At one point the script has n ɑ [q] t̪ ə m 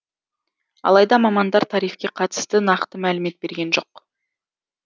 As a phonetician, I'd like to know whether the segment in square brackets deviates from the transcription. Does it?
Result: no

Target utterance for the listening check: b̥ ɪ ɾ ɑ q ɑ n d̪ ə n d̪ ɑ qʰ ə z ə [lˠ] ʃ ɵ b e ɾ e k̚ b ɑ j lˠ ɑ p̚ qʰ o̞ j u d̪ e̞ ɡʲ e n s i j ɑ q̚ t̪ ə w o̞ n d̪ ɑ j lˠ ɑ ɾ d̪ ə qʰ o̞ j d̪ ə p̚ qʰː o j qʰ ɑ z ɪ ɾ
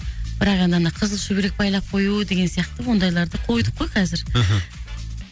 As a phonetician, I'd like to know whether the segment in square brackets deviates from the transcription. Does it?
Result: no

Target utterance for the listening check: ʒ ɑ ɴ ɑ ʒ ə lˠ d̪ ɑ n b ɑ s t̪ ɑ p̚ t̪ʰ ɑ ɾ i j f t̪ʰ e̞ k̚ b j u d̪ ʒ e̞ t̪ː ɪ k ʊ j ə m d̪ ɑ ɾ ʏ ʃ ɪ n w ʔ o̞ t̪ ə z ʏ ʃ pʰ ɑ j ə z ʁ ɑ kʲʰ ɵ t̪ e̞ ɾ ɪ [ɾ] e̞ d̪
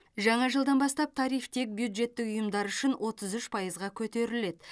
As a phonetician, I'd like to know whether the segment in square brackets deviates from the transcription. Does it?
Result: yes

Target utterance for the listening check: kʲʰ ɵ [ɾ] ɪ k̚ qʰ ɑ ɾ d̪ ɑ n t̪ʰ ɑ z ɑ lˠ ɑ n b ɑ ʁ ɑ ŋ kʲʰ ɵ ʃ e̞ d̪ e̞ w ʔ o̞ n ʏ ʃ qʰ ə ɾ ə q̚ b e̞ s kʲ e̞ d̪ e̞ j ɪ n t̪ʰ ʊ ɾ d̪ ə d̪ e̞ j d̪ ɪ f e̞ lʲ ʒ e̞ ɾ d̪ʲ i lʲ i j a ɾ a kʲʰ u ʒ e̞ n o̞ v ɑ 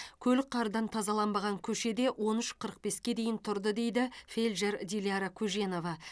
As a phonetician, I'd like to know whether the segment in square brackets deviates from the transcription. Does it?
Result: yes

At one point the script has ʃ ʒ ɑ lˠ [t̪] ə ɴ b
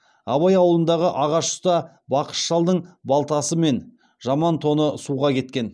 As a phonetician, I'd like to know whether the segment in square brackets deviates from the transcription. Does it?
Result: yes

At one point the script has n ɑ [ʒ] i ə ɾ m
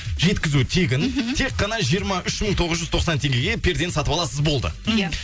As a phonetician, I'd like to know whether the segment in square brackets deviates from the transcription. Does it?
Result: no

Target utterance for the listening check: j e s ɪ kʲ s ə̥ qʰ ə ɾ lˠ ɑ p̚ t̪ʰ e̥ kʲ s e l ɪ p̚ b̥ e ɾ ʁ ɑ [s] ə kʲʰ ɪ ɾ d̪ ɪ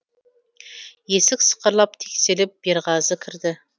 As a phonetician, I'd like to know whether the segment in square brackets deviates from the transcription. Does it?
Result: yes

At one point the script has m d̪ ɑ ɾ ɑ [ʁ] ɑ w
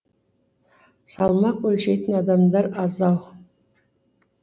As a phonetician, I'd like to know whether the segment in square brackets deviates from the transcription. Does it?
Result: yes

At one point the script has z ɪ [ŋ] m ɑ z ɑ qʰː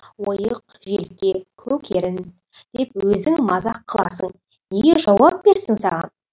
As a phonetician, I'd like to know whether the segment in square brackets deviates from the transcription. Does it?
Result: no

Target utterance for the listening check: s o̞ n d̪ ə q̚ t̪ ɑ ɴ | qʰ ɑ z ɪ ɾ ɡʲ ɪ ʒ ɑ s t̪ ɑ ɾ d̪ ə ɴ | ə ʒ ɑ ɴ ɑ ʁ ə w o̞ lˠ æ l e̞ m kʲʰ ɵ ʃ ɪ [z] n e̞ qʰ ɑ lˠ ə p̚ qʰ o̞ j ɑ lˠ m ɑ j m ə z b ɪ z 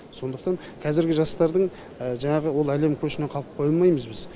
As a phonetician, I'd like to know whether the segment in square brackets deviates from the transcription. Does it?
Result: yes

